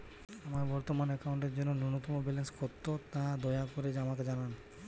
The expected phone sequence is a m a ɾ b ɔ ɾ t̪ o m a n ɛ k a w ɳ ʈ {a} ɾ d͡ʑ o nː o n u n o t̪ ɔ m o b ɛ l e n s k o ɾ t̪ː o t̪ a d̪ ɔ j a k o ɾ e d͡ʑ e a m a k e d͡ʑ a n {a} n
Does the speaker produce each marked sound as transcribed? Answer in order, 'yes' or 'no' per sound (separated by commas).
no, yes